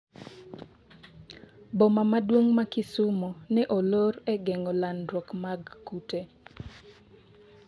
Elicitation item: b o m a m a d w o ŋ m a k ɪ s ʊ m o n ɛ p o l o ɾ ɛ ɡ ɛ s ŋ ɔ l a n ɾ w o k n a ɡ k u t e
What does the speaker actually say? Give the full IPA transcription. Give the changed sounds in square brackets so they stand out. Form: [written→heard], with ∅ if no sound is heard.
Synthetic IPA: b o m a m a d w o ŋ m a k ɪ s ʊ m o n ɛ [p→ʔ] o l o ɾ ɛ ɡ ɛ [s→∅] ŋ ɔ l a n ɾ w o k [n→m] a ɡ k u t e